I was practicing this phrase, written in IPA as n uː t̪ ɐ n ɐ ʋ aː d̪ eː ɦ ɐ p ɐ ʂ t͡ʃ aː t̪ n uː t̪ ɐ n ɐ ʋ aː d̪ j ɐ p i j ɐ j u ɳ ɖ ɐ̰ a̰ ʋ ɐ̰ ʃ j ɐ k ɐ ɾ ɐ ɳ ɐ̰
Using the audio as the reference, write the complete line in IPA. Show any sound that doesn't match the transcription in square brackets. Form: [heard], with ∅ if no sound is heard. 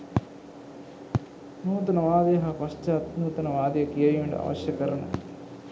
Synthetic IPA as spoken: n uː t̪ ɐ n ɐ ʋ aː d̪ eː ɦ ɐ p ɐ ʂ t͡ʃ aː t̪ n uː t̪ ɐ n ɐ ʋ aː d̪ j ɐ [k] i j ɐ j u ɳ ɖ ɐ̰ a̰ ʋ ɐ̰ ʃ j ɐ k ɐ ɾ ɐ ɳ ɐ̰